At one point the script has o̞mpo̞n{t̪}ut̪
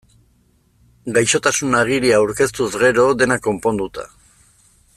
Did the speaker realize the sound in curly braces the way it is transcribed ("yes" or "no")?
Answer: no